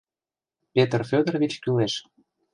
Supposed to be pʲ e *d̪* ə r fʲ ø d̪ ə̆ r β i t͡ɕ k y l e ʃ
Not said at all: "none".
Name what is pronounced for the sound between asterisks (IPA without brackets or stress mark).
t̪